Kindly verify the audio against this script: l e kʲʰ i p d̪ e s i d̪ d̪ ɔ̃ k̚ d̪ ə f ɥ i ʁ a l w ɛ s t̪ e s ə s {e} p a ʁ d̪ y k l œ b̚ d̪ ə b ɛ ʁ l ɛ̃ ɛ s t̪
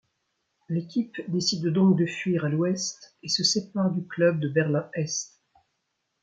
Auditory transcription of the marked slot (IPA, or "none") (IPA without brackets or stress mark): e